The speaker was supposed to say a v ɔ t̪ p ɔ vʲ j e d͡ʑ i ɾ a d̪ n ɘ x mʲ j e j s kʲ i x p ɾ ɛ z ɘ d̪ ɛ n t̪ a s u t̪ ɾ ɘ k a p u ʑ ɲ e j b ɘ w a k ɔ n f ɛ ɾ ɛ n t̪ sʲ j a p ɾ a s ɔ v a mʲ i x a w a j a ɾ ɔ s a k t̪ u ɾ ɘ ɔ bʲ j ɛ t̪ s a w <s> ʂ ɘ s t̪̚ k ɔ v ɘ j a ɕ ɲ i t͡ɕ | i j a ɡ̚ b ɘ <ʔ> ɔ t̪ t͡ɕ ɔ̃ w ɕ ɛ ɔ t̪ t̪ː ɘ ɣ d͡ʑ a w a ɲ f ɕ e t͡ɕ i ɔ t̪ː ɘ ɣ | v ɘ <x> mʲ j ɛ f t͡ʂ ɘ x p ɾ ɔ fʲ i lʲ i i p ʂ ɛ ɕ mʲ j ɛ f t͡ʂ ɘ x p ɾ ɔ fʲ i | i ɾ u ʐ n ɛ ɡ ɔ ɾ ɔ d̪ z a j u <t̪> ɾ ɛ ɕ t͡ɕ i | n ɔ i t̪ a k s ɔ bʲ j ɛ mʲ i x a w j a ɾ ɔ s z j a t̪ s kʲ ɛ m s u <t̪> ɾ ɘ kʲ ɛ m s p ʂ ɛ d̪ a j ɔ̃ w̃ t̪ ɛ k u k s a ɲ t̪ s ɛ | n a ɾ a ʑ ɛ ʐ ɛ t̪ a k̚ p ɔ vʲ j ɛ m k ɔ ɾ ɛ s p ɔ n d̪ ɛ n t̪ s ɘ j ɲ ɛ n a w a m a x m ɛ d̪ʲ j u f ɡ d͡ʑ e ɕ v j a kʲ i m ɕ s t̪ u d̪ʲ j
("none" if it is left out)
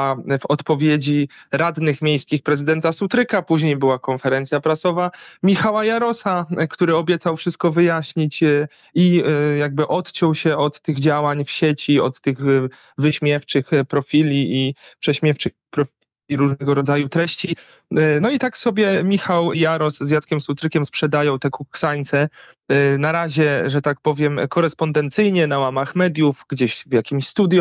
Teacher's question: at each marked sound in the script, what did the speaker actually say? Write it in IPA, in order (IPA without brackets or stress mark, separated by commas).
f, ʔ, ɕ, t̪, t̪